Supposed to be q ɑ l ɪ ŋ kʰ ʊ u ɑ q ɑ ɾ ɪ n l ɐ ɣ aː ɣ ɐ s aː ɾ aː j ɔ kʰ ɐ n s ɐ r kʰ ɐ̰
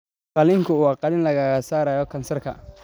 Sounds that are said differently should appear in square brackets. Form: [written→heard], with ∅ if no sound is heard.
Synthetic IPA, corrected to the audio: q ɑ l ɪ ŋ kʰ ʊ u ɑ q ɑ [ɾ→l] ɪ n l ɐ ɣ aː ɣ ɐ s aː ɾ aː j ɔ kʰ ɐ n s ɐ r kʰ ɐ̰